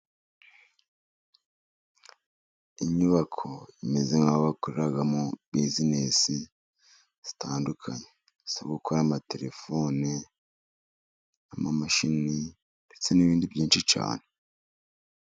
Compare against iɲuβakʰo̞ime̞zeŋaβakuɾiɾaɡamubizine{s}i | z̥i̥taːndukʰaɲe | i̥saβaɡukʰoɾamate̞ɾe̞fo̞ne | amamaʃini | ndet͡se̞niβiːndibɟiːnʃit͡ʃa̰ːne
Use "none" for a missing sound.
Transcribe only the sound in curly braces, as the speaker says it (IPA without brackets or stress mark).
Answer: s